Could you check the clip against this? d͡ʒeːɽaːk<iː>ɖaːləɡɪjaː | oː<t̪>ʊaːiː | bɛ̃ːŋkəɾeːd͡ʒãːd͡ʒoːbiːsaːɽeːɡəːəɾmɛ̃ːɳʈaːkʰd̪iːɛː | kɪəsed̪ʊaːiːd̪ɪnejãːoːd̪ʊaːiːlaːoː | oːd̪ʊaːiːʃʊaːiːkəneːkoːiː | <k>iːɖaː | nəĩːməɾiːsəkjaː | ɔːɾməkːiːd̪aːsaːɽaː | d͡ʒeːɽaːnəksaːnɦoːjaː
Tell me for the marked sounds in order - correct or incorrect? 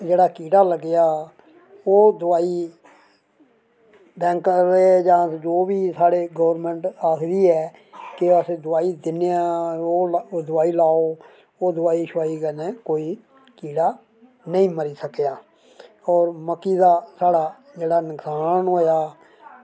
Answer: correct, incorrect, correct

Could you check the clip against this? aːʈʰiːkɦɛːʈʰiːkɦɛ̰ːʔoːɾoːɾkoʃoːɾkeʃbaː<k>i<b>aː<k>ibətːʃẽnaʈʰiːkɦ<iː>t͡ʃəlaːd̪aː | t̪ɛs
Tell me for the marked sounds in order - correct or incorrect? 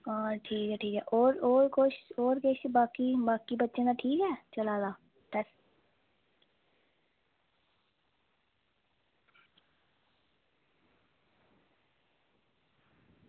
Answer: correct, correct, correct, incorrect

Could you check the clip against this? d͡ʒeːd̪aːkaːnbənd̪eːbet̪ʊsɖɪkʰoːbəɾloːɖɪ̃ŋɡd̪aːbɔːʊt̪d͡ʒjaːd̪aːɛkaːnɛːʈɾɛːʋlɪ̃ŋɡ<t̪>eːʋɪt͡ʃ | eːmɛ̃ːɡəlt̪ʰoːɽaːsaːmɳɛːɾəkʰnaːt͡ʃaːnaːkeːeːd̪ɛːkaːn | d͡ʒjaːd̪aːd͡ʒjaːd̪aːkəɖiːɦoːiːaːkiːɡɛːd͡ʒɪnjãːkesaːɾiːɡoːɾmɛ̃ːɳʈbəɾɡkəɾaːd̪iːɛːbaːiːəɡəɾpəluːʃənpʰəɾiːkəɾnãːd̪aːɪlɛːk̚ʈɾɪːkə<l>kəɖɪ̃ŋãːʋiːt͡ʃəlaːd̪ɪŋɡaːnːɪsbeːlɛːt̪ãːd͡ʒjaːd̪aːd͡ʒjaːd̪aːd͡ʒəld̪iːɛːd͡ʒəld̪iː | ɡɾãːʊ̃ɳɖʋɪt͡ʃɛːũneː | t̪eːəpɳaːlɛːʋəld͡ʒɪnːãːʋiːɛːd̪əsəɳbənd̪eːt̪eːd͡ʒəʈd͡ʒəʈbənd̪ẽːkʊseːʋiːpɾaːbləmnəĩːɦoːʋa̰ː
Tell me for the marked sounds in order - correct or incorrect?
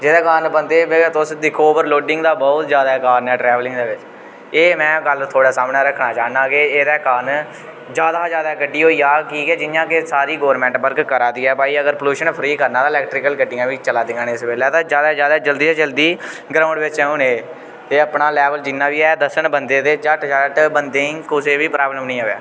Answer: incorrect, correct

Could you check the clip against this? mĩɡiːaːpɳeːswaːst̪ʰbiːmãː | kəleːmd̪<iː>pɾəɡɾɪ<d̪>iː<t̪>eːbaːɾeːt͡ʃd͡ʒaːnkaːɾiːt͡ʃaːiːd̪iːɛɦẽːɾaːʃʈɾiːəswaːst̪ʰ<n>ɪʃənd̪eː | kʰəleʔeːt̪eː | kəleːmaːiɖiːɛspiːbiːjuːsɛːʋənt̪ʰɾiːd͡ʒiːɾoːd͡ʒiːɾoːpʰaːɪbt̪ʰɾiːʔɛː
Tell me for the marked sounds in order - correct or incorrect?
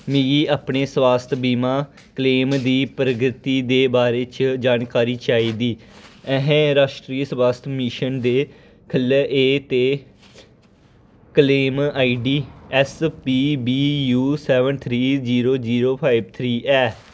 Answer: correct, incorrect, incorrect, incorrect

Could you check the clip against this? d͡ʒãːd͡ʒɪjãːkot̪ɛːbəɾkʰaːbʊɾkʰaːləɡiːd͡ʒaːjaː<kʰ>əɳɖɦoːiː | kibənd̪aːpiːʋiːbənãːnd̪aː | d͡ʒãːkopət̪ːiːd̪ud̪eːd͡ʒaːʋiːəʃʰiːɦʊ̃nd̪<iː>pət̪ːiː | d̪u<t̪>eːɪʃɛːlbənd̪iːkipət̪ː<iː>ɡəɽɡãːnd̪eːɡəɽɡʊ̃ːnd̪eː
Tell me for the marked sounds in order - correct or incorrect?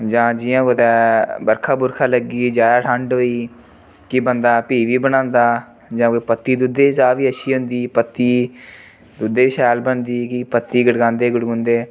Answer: incorrect, correct, incorrect, correct

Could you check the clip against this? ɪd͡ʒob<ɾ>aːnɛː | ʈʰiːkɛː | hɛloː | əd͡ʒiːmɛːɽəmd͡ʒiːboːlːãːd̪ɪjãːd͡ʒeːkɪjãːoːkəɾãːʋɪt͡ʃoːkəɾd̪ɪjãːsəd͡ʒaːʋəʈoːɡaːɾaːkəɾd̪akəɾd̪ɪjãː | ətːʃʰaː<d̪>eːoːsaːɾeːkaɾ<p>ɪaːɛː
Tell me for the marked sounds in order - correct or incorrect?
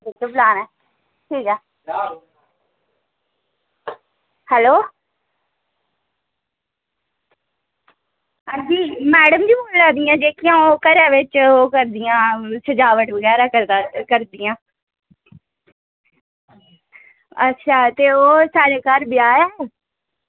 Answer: incorrect, incorrect, incorrect

